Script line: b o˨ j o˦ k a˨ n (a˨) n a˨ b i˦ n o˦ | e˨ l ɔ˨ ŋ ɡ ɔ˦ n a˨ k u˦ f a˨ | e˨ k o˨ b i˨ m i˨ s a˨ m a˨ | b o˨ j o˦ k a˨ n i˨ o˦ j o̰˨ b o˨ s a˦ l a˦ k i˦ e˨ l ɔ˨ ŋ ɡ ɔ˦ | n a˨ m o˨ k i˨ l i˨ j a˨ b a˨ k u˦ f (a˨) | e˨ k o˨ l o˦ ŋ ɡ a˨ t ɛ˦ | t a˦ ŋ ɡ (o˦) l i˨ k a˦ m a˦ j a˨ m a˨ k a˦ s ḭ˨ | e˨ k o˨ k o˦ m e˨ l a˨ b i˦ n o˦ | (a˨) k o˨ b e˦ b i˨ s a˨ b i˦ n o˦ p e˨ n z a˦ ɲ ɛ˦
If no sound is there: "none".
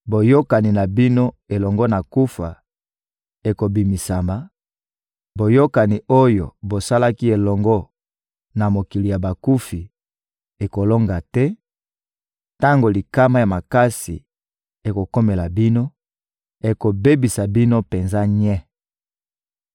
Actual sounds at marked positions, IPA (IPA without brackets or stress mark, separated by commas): i˨, i˨, o˨, e˨